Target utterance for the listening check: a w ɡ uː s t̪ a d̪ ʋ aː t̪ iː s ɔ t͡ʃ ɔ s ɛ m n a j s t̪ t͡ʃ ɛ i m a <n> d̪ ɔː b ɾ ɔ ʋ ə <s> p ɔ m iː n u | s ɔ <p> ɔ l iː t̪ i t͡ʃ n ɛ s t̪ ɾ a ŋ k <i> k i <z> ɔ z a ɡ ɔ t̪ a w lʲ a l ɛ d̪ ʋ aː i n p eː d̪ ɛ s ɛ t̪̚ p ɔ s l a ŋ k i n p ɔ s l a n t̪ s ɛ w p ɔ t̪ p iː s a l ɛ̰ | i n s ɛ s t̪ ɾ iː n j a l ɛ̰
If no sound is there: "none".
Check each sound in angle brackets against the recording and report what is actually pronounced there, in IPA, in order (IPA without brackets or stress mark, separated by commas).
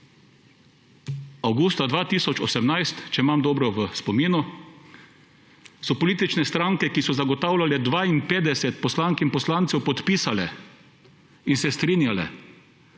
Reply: m, s, p, ɛ, s